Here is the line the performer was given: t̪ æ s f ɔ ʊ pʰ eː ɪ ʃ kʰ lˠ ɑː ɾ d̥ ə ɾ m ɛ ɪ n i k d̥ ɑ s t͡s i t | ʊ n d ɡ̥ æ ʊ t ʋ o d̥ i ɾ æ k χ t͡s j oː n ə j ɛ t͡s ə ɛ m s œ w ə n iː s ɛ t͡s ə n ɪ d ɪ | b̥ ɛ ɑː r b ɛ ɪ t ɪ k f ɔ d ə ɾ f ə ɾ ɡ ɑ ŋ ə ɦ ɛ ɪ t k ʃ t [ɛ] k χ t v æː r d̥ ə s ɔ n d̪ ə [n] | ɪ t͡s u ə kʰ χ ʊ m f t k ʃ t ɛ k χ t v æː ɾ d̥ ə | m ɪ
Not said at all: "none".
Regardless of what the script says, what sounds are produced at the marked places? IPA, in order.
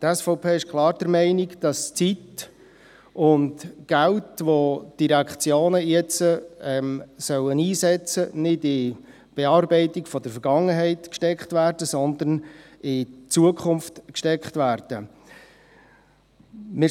ɛ, n

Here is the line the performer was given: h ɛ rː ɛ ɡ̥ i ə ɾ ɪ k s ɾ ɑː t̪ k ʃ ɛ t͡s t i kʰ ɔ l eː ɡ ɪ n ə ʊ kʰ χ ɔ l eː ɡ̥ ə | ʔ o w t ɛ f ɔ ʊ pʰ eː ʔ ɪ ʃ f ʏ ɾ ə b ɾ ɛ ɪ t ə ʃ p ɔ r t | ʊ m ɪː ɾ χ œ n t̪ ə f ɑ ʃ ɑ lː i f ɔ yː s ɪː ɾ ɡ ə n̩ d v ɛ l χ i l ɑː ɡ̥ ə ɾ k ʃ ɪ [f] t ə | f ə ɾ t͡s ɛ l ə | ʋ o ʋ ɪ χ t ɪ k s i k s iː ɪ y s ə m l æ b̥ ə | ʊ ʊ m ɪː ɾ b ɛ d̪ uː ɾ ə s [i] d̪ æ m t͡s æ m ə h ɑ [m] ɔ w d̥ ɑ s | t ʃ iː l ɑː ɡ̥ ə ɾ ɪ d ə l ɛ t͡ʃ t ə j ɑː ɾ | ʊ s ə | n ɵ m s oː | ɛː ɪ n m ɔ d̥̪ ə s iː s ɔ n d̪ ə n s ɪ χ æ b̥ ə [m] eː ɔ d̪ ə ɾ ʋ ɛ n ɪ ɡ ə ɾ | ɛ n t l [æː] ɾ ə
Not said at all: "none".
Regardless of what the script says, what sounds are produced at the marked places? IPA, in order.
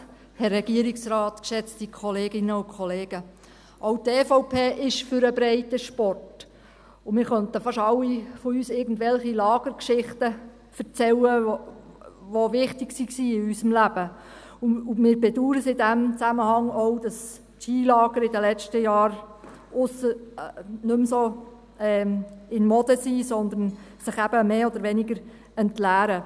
χ, ɪ, ŋ, m, æː

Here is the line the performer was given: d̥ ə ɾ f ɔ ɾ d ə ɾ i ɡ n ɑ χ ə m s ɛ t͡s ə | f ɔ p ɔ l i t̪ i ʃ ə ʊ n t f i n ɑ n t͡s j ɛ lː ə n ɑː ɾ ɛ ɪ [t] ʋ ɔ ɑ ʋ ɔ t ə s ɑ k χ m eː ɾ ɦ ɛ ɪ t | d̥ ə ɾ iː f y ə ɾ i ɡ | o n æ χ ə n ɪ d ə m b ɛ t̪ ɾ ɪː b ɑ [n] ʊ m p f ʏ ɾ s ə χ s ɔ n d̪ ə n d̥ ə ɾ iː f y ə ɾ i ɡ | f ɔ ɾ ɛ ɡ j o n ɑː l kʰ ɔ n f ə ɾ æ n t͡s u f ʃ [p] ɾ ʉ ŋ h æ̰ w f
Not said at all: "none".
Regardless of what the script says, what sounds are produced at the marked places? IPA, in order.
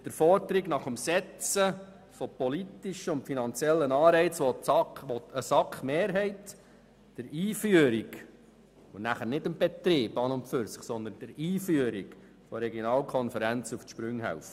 t͡s, n, p

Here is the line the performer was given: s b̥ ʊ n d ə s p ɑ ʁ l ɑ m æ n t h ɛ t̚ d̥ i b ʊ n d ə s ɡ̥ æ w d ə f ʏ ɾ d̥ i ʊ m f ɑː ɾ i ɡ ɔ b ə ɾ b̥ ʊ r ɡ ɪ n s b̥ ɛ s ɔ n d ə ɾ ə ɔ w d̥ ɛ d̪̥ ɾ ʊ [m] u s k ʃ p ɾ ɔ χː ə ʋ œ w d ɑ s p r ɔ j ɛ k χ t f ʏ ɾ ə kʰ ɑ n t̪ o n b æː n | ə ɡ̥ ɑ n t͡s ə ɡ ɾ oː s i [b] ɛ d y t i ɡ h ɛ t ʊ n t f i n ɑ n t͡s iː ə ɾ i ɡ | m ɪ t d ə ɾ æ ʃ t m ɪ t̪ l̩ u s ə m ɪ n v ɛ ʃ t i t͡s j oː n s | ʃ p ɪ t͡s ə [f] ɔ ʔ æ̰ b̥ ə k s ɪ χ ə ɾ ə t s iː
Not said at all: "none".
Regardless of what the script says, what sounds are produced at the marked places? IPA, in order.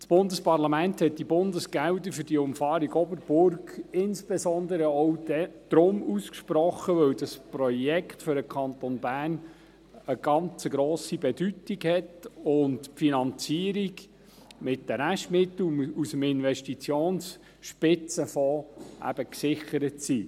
m, b, f

